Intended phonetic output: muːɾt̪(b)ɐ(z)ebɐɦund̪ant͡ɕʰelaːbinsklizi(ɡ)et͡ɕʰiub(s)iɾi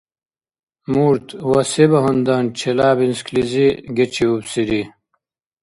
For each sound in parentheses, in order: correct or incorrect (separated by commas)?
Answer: incorrect, incorrect, correct, correct